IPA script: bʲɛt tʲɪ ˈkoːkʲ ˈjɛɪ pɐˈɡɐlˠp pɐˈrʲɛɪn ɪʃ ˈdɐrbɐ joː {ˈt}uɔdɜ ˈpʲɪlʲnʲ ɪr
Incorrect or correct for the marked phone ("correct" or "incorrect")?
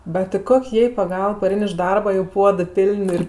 incorrect